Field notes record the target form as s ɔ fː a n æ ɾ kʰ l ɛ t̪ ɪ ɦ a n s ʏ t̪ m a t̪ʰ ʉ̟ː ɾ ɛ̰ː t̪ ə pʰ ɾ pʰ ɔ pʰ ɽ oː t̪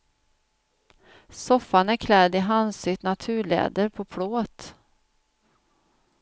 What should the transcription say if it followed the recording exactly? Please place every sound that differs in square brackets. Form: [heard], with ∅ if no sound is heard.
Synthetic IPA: s ɔ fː a n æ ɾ kʰ l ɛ [d̪] ɪ ɦ a n s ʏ t̪ [n] a t̪ʰ ʉ̟ː [ɭ] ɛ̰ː [d̪] ə [∅] ɾ pʰ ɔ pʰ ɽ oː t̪